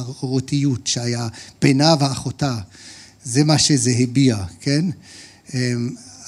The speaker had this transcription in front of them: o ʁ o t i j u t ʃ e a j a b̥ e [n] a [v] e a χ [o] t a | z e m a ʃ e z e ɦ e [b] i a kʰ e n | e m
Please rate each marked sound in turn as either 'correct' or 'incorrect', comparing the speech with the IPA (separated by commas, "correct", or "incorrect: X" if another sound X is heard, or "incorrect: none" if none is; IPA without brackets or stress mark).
correct, correct, correct, correct